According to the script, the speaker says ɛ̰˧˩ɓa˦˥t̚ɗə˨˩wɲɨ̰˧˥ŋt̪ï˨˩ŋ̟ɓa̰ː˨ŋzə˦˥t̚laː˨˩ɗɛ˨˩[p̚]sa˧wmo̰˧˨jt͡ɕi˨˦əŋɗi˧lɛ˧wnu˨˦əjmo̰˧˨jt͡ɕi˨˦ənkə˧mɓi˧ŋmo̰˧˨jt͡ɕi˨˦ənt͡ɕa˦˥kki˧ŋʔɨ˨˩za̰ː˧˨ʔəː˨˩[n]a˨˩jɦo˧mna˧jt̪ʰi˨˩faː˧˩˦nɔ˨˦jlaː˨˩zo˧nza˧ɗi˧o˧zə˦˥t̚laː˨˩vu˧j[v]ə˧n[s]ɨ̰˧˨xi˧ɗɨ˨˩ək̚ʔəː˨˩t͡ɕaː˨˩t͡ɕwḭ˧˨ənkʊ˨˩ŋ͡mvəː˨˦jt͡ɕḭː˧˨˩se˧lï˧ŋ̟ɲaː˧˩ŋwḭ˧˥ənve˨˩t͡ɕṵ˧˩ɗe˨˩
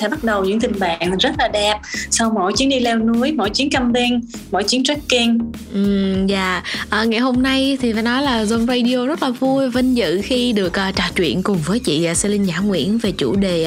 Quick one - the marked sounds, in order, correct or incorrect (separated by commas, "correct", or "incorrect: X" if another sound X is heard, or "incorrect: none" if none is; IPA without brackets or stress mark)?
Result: correct, incorrect: ŋ, correct, incorrect: z